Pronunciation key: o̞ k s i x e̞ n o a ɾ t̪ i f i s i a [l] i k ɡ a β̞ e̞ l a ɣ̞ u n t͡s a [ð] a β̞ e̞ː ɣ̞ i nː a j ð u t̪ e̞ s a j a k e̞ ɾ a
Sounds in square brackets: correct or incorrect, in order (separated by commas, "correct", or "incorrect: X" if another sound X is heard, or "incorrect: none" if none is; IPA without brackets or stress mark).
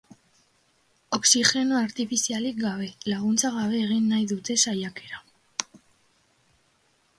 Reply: correct, incorrect: ɣ